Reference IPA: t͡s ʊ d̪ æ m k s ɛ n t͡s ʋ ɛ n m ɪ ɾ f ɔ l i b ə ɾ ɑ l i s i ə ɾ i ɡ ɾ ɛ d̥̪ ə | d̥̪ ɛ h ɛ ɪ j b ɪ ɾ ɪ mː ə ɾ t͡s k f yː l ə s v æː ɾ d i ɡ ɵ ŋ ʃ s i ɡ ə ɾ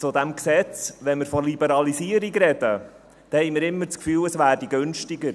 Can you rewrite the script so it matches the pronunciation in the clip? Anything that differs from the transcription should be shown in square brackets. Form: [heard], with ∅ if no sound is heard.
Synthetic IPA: t͡s ʊ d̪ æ m k s ɛ [∅] t͡s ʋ ɛ n m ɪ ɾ f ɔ l i b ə ɾ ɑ l i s i ə ɾ i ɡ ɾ ɛ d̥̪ ə | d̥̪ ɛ h ɛ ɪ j [m] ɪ ɾ ɪ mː ə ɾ t͡s k f yː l ə s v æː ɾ d i ɡ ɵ [n] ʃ [t] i ɡ ə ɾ